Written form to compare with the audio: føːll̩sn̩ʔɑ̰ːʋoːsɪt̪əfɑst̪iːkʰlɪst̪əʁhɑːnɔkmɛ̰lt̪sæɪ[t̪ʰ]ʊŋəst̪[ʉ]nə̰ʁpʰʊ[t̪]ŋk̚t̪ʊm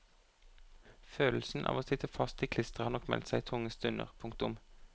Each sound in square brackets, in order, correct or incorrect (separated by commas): correct, correct, incorrect